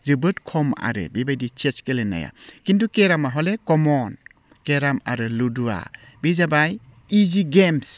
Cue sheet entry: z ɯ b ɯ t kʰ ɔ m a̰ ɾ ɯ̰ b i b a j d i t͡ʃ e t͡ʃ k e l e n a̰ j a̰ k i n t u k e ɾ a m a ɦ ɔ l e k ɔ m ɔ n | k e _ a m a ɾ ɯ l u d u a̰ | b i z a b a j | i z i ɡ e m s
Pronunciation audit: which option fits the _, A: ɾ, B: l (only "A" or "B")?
A